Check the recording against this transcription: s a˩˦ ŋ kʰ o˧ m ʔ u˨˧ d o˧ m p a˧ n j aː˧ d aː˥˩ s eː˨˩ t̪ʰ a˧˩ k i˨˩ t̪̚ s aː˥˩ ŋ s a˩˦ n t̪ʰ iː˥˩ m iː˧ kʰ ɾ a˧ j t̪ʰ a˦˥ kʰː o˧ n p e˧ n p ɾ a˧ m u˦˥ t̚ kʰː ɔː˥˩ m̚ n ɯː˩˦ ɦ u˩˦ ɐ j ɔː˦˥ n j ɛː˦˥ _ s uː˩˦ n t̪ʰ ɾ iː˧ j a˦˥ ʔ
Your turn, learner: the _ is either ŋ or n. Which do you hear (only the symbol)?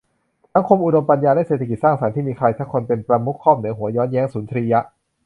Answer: ŋ